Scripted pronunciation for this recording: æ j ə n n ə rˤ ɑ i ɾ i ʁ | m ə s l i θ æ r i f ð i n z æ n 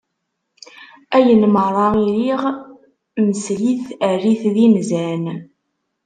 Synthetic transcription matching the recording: æ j ə n m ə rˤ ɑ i ɾ i ʁ | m ə s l i θ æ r i θ ð i n z æ n

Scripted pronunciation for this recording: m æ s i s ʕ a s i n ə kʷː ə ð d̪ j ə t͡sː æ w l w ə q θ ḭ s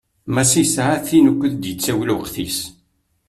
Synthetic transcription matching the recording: m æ s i s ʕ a θ i n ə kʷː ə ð d̪ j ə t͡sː æ w l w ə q θ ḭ s

